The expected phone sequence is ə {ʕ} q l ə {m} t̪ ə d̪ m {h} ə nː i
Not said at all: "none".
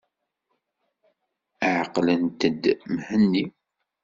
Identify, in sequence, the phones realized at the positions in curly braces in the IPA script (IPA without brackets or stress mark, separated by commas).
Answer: ʕ, n, h